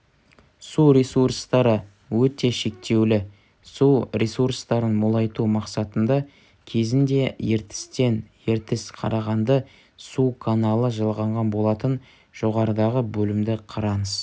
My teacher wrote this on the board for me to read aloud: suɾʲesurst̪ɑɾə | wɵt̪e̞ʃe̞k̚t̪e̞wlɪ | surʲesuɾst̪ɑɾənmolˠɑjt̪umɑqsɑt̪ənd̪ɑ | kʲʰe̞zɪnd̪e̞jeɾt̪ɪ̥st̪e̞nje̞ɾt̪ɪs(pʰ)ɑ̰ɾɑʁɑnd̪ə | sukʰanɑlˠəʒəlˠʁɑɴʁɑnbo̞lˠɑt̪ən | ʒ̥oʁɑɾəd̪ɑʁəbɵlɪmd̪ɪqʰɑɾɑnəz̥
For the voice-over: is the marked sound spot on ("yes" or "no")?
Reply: no